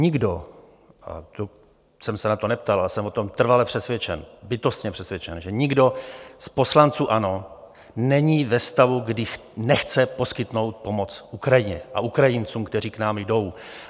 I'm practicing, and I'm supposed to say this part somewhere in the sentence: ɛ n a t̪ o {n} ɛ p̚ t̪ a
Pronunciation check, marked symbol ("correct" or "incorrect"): correct